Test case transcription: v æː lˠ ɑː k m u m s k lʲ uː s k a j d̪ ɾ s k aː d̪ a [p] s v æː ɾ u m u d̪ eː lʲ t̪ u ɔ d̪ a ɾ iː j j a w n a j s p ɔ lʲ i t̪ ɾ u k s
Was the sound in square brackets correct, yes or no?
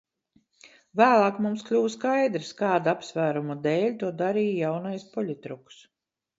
yes